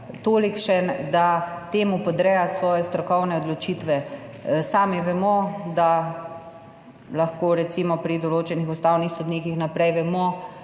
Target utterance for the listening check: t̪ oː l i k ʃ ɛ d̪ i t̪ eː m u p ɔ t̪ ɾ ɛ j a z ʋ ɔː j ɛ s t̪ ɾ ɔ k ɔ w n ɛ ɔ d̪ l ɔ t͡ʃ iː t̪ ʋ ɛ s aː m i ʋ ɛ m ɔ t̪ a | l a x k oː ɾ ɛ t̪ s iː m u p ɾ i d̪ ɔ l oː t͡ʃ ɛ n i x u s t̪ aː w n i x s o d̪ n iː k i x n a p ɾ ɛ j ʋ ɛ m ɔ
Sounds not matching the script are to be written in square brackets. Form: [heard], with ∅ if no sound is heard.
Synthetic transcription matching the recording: t̪ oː l i k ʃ ɛ d̪ [a] t̪ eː m u p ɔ [d̪] ɾ ɛ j a [s] ʋ ɔː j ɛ s t̪ ɾ ɔ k ɔ w n ɛ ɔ d̪ l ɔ t͡ʃ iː t̪ ʋ ɛ s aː m i ʋ ɛ m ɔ [d̪] a | l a x k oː ɾ ɛ t̪ s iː m [ɔ] p ɾ i d̪ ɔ l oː t͡ʃ ɛ n i x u s t̪ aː w n i x s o d̪ n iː k i x n a p ɾ ɛ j ʋ ɛ m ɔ